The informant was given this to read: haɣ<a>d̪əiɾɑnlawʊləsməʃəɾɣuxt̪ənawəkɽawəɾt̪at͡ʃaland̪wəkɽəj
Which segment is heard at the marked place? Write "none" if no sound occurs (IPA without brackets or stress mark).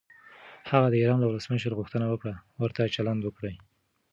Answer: a